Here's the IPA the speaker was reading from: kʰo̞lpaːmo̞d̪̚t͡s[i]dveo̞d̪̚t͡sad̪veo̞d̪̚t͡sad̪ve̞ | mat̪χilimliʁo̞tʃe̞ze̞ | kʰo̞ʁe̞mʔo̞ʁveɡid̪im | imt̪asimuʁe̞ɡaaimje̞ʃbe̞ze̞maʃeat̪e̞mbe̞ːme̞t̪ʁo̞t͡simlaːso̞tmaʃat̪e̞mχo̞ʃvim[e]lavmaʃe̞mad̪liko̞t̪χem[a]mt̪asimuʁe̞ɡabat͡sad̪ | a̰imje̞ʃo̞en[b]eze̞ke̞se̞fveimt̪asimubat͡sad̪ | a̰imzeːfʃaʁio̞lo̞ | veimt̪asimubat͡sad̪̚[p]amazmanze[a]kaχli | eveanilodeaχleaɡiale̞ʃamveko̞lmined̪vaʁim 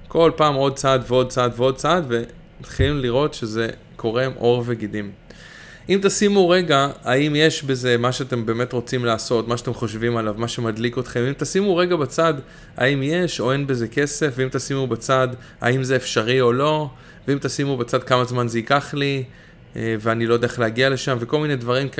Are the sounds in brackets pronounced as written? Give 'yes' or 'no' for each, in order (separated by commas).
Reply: no, no, no, yes, no, no